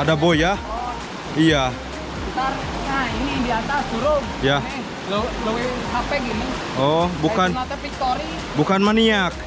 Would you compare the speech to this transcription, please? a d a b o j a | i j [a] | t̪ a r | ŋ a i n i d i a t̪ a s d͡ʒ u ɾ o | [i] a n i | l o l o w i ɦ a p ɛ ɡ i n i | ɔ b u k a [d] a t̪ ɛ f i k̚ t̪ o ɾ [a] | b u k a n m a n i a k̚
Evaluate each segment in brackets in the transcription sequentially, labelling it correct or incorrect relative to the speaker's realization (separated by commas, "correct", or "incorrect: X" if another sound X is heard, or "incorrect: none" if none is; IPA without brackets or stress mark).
correct, incorrect: j, incorrect: n, incorrect: i